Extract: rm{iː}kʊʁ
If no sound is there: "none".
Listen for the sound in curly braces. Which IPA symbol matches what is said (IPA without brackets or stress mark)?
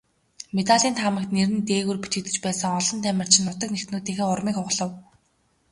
iː